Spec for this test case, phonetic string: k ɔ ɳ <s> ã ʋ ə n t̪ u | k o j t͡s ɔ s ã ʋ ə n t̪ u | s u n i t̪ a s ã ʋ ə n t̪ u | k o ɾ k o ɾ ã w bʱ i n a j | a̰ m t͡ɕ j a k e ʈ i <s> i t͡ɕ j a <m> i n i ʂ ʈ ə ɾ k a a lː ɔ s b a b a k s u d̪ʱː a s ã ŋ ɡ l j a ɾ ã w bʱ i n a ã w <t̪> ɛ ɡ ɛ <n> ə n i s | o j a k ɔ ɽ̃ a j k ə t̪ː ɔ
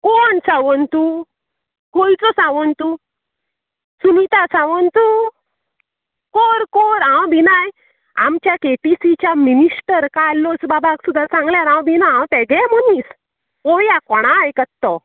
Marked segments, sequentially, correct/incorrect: correct, correct, correct, correct, incorrect: m

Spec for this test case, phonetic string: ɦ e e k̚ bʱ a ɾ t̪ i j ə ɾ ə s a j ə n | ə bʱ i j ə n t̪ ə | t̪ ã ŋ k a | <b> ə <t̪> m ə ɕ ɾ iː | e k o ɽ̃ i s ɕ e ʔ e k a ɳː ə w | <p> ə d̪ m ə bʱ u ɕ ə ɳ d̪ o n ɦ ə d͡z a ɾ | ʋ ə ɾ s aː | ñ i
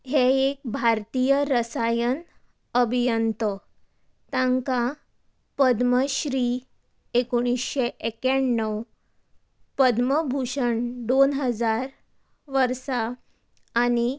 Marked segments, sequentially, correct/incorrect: incorrect: p, incorrect: d̪, correct

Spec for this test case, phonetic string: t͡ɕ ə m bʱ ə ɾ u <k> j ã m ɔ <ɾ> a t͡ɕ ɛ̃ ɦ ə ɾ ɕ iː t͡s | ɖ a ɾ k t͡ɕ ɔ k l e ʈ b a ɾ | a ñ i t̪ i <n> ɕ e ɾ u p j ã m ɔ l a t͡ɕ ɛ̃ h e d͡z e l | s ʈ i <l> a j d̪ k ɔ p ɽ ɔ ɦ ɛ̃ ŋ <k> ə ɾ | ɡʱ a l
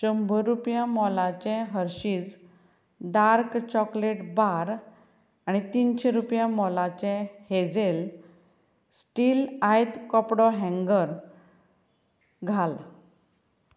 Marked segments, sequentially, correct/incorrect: incorrect: p, incorrect: l, correct, correct, incorrect: ɡ

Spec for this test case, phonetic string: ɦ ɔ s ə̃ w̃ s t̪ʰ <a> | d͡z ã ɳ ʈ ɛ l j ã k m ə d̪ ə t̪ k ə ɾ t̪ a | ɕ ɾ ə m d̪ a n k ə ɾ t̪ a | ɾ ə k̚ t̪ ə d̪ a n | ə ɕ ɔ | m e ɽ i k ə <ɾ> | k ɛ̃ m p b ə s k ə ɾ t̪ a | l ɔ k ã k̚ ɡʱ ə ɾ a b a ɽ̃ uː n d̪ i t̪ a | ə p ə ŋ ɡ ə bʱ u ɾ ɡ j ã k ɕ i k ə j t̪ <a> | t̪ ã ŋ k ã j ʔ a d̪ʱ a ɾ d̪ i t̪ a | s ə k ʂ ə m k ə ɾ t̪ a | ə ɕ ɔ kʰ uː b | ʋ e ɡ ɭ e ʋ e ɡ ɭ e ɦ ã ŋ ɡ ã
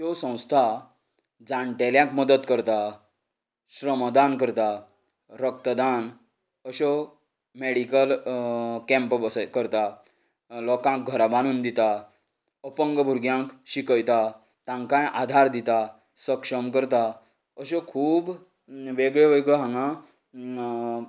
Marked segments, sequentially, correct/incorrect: correct, incorrect: l, correct

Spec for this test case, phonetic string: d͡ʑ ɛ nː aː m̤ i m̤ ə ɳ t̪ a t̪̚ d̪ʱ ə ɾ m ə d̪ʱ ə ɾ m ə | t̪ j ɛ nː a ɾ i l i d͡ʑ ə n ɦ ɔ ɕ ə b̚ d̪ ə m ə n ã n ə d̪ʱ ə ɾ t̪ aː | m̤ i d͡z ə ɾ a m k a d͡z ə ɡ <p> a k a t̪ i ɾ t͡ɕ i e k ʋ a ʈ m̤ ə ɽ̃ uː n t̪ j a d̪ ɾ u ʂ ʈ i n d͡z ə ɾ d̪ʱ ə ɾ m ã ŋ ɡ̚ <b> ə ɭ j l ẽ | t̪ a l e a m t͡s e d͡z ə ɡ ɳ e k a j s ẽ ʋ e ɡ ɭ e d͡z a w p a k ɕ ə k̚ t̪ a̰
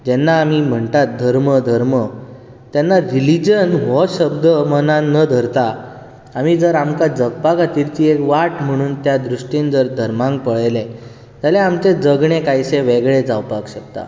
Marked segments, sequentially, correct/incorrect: correct, incorrect: p

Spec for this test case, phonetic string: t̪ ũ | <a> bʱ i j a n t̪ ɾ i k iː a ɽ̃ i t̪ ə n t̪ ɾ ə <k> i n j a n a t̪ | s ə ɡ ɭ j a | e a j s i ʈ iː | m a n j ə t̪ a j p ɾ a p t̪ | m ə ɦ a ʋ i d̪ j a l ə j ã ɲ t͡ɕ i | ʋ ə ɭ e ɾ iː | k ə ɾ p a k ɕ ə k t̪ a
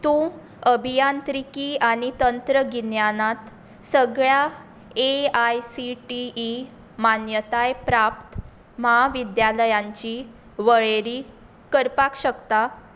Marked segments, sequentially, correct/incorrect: incorrect: ə, incorrect: ɡ

